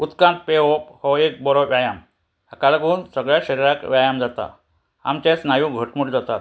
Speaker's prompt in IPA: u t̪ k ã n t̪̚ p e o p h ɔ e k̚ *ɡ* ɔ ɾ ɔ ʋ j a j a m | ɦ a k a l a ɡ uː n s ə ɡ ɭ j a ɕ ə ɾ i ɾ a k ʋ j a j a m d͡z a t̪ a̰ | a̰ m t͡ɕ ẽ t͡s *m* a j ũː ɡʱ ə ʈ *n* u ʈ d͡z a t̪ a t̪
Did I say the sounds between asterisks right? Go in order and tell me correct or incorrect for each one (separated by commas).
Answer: incorrect, incorrect, incorrect